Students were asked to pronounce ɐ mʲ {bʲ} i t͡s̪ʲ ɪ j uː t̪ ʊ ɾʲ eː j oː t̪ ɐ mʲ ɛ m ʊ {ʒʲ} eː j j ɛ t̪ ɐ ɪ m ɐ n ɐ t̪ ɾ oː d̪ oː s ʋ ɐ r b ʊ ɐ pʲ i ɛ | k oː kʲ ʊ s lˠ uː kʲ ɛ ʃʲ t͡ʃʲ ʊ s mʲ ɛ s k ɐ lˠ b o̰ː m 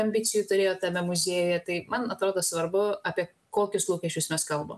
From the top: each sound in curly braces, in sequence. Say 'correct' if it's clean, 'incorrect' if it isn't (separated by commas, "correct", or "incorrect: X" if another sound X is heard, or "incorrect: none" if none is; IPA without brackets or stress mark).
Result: correct, incorrect: zʲ